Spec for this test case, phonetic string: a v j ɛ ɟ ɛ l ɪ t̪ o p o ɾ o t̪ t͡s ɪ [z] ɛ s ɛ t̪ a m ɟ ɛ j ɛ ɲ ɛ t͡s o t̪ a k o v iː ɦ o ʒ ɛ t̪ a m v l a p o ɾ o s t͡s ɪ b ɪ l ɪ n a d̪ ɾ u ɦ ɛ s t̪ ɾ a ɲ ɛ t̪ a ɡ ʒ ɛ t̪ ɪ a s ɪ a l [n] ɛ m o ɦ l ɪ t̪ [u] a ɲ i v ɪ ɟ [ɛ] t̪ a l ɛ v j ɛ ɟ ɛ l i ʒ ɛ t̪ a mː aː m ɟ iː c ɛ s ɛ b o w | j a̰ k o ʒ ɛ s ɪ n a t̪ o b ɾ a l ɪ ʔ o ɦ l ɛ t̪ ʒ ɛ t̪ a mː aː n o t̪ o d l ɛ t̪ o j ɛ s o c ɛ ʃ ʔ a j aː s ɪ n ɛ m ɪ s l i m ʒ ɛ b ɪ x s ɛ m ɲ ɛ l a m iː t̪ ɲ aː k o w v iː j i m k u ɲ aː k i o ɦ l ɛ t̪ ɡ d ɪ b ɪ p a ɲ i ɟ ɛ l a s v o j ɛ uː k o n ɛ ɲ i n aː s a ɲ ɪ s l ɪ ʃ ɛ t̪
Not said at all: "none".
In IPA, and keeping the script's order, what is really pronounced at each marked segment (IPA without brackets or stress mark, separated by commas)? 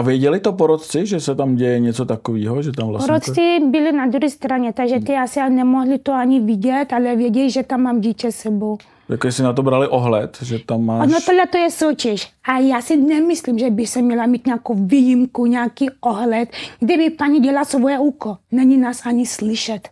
ʒ, n, o, ɛ